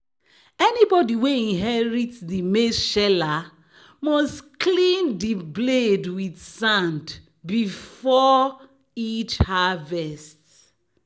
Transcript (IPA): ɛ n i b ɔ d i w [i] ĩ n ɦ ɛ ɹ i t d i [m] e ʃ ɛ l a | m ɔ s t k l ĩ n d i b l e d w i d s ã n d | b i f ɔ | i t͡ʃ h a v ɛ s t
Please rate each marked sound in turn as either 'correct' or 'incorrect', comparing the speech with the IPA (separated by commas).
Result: incorrect, correct